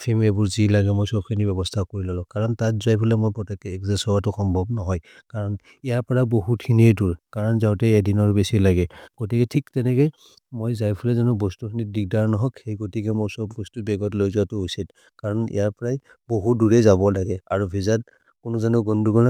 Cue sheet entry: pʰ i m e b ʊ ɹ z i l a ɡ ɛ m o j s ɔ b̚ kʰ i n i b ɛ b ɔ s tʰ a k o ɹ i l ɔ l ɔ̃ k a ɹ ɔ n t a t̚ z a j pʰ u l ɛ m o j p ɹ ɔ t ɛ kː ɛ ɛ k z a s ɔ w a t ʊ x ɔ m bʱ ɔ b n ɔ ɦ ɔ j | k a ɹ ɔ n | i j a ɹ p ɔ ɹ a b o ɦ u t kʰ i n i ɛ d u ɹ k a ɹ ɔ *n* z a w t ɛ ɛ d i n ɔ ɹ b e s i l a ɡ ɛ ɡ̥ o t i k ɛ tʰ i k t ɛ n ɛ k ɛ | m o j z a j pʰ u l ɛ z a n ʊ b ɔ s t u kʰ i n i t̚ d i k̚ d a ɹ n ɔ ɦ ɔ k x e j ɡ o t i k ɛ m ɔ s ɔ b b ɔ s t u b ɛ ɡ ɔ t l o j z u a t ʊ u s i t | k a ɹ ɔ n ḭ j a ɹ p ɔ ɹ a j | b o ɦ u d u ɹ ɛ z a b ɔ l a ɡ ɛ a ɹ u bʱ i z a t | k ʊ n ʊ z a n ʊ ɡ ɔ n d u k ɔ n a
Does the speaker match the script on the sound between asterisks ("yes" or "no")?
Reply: yes